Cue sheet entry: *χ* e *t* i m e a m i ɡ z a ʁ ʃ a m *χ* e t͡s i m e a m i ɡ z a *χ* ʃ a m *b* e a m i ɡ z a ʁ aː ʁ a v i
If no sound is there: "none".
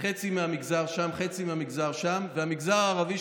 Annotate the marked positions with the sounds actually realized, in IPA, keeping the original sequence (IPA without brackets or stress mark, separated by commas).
χ, t͡s, χ, ʁ, v